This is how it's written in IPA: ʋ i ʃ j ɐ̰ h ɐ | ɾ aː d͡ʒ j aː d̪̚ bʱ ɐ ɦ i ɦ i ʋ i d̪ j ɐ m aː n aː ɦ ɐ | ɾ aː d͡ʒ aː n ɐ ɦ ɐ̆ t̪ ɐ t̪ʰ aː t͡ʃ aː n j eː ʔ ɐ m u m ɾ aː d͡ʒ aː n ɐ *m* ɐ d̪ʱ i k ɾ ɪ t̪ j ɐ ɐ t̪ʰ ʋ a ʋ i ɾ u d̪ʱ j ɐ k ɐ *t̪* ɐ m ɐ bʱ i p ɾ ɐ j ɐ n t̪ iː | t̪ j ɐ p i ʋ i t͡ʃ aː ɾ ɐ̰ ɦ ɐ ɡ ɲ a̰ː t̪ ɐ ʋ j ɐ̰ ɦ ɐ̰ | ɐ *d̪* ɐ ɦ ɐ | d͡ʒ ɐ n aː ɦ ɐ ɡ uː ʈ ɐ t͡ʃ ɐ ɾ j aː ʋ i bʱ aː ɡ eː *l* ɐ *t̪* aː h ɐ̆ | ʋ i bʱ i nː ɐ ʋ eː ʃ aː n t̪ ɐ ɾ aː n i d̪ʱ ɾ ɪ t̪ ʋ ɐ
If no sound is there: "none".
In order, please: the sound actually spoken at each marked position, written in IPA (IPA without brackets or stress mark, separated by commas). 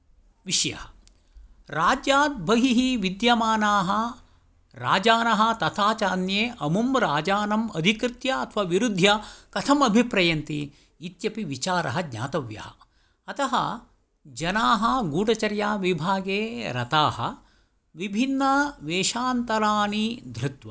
m, t̪ʰ, t̪, ɾ, t̪